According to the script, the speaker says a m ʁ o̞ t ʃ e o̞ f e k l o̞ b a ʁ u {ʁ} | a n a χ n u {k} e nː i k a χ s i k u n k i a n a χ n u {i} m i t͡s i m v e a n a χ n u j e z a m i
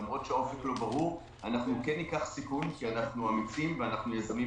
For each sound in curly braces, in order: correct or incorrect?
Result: correct, correct, incorrect: a

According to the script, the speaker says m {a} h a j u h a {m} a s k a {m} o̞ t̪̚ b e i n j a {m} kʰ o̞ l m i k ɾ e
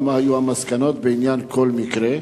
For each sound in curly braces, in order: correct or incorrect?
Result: correct, correct, incorrect: n, incorrect: n

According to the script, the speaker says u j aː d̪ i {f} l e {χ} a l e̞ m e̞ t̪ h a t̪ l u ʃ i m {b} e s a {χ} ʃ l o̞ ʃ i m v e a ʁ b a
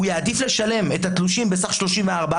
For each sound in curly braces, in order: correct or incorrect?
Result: correct, incorrect: ʃ, correct, correct

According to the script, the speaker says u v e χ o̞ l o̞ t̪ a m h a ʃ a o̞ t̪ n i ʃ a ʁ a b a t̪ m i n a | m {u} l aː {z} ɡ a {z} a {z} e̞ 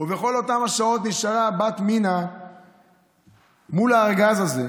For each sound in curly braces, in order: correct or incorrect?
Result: correct, incorrect: ʁ, correct, correct

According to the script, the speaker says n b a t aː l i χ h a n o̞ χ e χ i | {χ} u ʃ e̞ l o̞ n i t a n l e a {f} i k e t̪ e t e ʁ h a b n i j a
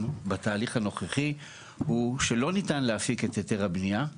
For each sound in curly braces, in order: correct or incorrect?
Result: incorrect: h, correct

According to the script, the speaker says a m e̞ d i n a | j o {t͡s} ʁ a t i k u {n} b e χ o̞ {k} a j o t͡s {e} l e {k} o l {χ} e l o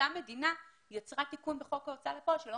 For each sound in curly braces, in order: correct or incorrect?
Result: correct, correct, correct, incorrect: a, incorrect: p, incorrect: ʃ

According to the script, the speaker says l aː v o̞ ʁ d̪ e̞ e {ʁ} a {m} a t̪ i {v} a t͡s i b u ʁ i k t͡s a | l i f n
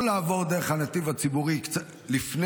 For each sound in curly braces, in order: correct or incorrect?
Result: incorrect: χ, incorrect: n, correct

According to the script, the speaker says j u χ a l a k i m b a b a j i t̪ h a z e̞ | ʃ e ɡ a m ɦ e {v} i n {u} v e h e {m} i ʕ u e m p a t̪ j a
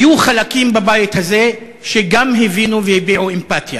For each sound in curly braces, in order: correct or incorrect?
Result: correct, correct, incorrect: b

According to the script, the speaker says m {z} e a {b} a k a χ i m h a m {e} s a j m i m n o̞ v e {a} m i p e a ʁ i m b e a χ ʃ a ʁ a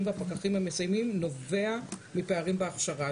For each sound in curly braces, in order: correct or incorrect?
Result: incorrect: v, incorrect: p, correct, correct

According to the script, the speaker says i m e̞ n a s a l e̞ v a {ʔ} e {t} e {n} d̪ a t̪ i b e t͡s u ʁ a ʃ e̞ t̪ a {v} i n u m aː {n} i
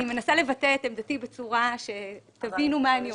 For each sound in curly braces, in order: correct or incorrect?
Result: incorrect: t, correct, incorrect: m, correct, correct

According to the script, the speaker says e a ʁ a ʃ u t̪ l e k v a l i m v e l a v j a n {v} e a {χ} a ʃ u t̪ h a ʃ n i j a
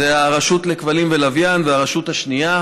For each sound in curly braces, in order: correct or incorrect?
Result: correct, incorrect: ʁ

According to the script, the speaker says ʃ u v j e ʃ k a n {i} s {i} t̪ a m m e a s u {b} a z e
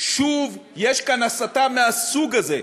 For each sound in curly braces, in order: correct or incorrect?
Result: incorrect: a, incorrect: a, incorrect: ɡ

